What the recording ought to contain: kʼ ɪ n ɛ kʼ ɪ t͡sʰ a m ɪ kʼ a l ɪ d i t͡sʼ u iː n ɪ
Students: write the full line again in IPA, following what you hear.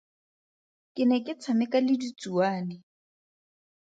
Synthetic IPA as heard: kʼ ɪ n ɛ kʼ ɪ t͡sʰ a m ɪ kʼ a l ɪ d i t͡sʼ u aː n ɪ

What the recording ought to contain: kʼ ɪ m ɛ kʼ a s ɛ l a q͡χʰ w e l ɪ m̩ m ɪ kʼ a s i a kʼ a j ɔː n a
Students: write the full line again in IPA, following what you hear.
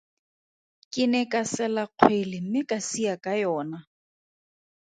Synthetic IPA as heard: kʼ ɪ n ɛ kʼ a s ɛ l a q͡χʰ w e l ɪ m̩ m ɪ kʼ a s i a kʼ a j ɔː n a

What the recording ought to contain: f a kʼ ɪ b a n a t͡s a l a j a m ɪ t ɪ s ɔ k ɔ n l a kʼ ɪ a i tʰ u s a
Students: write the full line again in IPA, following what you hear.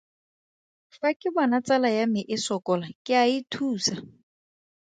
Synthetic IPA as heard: f a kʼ ɪ b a n a t͡s a l a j a m ɪ ʔ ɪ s ɔ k ɔ l a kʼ ɪ a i tʰ uː s a

